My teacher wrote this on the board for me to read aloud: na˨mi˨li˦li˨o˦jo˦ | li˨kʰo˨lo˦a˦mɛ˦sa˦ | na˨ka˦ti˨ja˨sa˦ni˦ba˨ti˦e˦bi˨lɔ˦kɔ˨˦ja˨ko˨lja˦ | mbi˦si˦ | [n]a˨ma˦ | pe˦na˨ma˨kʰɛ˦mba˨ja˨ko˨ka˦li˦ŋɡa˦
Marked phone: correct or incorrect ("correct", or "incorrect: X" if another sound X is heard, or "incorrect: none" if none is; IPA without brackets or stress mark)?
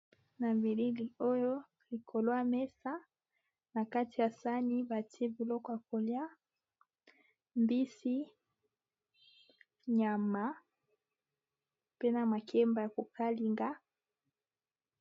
incorrect: ɲ